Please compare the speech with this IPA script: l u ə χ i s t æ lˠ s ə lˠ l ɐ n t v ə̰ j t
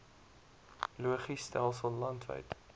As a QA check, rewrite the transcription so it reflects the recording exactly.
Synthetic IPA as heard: l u ə χ i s t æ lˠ s ə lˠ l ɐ n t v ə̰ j t

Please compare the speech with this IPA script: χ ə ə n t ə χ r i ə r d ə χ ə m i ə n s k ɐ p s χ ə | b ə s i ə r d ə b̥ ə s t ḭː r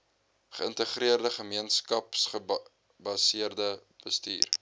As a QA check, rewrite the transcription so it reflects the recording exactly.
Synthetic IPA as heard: χ ə ə n t ə χ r i ə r d ə χ ə m i ə n s k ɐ p s χ ə | b ɐ s i ə r d ə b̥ ə s t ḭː r

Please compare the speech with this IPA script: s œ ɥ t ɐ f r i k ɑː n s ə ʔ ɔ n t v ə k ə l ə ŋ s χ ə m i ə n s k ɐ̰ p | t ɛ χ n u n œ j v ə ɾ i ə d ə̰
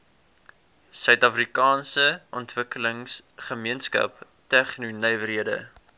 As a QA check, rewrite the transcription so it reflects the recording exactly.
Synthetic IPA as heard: s œ ɥ t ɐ f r i k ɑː n s ə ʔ ɔ n t v ə k ə l ə ŋ s χ ə m i ə n s k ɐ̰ p | t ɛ χ n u n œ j v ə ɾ i ə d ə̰

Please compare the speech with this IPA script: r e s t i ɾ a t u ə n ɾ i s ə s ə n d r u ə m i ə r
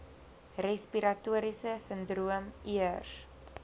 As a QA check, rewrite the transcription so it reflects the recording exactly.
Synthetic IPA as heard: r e s p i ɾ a t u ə ɾ i s ə s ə n d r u ə m i ə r

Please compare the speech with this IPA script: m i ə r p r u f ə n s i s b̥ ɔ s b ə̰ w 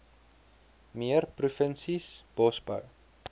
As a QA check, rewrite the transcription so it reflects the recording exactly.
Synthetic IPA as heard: m i ə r p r u f ə n s i s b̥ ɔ s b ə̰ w

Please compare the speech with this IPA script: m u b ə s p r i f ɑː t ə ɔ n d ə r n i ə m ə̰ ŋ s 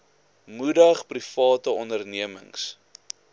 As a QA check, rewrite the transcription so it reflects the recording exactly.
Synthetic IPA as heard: m u d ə χ p r i f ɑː t ə ɔ n d ə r n i ə m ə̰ ŋ s

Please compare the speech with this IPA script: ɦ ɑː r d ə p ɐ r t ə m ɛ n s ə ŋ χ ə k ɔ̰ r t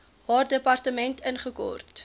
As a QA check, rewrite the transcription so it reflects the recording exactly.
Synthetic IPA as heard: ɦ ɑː r d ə p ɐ r t ə m ɛ n t ə n χ ə k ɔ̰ r t

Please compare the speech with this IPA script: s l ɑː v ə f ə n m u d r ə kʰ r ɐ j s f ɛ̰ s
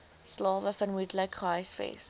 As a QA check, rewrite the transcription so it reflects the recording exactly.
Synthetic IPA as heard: s l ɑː v ə f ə n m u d l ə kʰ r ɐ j s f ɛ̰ s

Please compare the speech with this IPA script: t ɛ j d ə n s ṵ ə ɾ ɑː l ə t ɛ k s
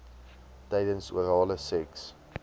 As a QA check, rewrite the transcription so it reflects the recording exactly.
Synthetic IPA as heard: t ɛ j d ə n s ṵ ə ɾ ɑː l ə s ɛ k s

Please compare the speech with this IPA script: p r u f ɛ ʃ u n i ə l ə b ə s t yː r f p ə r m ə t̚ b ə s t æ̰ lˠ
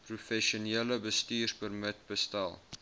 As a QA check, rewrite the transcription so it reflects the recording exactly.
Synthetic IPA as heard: p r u f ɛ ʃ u n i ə l ə b ə s t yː r s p ə r m ə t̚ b ə s t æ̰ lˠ

